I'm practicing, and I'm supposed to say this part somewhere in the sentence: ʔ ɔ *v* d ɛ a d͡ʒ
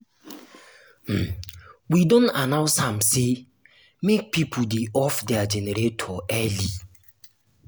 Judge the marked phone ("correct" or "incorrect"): incorrect